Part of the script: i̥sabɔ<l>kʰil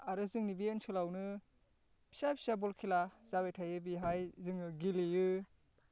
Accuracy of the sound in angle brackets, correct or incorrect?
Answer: correct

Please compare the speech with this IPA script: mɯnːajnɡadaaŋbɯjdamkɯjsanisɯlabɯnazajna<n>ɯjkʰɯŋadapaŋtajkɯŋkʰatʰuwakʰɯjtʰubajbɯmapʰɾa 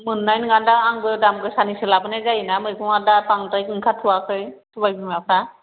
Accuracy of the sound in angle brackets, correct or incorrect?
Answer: incorrect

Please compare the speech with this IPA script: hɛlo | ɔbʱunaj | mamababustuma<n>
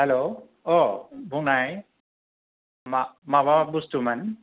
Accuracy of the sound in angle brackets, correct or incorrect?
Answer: correct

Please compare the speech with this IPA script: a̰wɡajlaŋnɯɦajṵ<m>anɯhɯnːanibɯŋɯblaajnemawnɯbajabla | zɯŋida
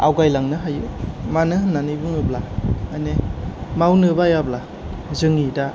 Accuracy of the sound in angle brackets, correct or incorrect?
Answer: correct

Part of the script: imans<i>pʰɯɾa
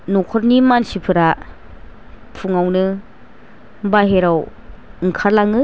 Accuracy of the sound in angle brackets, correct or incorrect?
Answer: correct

